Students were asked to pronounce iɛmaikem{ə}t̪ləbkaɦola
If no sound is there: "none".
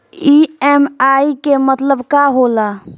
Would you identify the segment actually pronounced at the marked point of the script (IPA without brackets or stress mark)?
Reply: ə